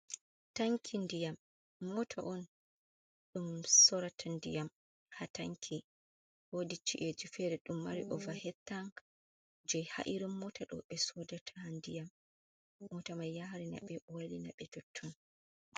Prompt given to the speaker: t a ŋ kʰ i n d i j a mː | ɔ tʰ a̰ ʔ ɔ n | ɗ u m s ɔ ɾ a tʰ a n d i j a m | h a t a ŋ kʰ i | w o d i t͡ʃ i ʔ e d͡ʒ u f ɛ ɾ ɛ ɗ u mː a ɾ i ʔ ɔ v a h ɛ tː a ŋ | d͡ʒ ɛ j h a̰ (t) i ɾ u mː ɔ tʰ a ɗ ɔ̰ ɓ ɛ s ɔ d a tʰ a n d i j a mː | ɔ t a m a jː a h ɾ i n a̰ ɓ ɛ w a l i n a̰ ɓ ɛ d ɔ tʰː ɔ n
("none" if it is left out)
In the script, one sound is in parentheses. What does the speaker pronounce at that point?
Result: ʔ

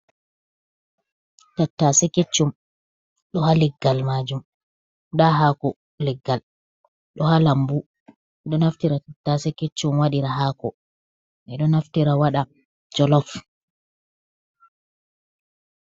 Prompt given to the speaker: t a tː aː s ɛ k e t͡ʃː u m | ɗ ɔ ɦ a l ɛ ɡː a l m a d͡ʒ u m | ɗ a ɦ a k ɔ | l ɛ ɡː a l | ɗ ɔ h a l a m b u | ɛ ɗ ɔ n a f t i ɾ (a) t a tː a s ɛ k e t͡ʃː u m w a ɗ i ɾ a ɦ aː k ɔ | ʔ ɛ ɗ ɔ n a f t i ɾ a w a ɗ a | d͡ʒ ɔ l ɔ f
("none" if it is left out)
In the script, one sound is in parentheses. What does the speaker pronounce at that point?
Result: a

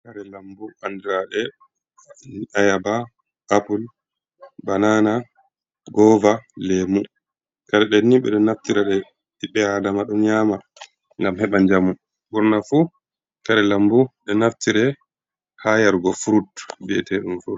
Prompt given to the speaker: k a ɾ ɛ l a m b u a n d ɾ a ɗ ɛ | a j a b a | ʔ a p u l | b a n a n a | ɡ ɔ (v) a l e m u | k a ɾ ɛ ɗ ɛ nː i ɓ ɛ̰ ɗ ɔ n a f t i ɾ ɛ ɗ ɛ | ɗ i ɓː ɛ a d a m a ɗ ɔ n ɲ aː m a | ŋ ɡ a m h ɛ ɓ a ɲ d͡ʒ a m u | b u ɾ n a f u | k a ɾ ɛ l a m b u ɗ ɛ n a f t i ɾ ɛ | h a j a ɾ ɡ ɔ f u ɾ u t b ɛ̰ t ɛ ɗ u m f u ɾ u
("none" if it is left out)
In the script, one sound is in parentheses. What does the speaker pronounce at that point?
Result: v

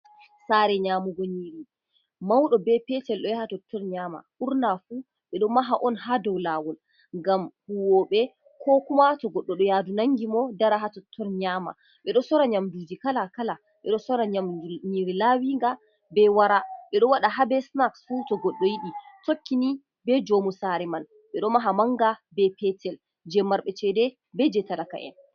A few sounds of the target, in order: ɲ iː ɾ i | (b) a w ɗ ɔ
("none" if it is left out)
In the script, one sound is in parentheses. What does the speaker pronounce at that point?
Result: m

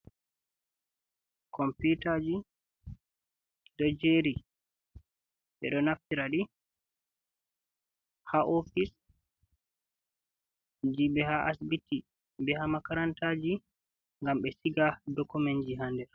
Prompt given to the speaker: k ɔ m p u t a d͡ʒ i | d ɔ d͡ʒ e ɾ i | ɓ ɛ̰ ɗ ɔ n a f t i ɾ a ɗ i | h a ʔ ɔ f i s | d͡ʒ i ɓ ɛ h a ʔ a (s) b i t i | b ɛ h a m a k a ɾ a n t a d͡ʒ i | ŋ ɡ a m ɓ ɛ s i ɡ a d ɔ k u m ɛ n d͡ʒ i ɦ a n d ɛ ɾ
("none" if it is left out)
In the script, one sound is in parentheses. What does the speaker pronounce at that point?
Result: s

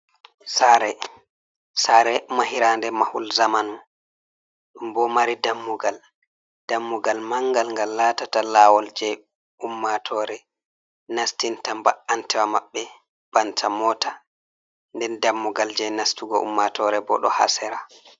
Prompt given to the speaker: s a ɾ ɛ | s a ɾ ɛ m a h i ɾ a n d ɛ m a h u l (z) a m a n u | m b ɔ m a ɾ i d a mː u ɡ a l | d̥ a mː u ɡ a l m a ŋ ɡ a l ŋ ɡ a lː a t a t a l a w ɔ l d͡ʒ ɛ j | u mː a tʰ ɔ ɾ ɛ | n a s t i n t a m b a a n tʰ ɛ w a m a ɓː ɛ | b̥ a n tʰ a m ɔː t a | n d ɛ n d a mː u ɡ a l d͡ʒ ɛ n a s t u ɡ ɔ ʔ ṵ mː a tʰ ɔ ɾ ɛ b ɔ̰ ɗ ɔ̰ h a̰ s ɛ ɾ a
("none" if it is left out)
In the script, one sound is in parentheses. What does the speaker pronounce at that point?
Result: z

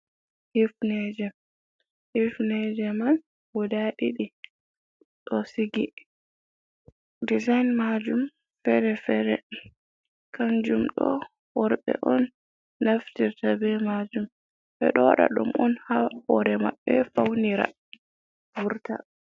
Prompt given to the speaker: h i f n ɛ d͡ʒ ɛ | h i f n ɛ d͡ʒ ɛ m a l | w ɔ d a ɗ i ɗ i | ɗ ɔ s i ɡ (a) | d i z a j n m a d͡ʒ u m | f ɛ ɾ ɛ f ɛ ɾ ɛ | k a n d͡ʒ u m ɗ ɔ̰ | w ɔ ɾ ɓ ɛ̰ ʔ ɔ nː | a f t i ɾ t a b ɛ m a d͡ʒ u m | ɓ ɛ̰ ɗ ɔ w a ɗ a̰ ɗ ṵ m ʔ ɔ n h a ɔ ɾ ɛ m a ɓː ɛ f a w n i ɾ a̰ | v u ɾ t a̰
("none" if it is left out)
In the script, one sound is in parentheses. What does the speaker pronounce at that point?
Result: i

